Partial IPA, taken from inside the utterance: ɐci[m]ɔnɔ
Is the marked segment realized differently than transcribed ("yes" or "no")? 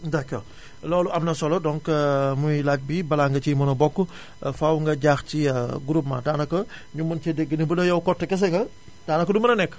no